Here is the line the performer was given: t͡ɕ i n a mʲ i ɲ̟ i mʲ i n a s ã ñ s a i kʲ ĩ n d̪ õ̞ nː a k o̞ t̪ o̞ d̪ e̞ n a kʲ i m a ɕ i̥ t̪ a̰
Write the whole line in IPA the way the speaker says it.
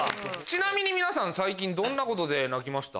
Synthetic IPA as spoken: t͡ɕ i n a mʲ i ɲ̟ i mʲ i n a s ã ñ s a i kʲ ĩ n d̪ õ̞ nː a k o̞ t̪ o̞ d̪ e̞ n a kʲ i m a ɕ i̥ t̪ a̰